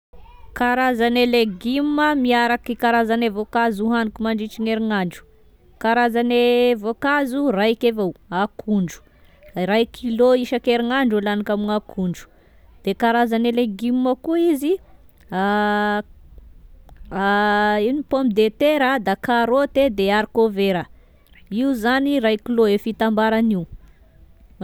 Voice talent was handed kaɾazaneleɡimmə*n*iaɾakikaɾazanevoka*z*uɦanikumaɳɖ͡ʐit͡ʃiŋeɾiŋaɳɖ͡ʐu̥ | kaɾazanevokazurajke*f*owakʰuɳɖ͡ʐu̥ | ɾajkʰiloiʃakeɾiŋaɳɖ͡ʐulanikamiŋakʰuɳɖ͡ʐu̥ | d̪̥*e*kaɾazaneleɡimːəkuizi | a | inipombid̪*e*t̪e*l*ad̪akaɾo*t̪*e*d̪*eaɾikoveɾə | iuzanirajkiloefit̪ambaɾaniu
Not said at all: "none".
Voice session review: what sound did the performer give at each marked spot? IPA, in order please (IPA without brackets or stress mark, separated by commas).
m, z, v, e, e, ɾ, t̪, d̪